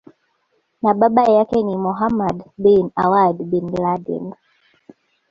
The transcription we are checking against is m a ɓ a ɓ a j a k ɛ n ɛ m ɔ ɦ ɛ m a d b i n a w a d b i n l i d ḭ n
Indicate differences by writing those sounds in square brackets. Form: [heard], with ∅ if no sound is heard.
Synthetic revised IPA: [n] a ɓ a ɓ a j a k ɛ n [i] m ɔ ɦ [a] m a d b i n a w a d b i n l [a] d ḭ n